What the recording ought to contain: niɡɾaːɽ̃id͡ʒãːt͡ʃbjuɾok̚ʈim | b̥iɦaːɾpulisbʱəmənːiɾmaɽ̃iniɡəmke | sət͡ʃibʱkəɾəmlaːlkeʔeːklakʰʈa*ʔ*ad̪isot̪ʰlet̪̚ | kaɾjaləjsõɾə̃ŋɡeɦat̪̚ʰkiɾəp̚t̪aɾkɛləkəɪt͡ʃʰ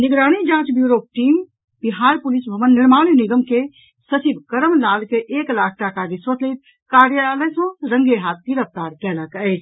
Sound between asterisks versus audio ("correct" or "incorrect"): incorrect